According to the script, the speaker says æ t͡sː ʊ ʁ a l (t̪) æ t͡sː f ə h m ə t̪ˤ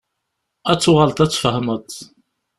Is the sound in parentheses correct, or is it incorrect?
correct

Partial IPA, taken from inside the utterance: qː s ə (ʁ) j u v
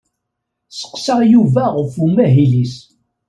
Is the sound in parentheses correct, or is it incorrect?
correct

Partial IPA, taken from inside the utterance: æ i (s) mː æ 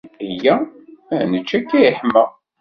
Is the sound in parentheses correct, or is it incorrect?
incorrect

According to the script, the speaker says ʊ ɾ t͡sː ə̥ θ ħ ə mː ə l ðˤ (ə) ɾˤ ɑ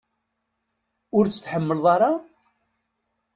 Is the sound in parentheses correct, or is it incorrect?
incorrect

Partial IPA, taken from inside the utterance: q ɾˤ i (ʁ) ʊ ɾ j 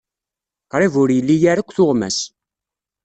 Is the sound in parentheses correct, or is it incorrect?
incorrect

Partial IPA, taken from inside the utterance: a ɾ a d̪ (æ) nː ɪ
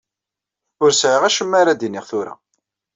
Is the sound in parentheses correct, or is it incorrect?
incorrect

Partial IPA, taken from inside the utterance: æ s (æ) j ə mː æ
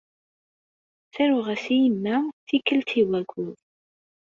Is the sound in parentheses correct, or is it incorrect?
incorrect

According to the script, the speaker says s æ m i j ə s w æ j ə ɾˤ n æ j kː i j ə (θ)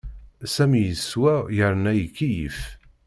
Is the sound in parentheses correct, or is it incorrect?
incorrect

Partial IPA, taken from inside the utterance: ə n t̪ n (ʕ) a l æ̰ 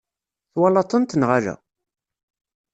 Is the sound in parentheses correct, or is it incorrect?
incorrect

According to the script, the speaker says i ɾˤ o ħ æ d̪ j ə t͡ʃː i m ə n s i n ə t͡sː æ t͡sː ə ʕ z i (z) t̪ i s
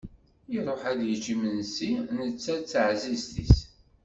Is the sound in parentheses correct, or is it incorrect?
correct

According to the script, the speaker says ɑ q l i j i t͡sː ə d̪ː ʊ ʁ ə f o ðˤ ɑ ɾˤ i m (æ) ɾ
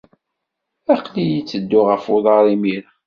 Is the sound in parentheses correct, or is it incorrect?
incorrect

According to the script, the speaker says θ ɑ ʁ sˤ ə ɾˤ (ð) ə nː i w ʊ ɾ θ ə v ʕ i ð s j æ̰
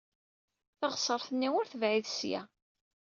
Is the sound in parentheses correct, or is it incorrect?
incorrect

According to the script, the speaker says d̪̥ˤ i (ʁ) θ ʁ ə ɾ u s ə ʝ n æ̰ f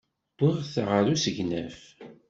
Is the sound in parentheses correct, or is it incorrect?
correct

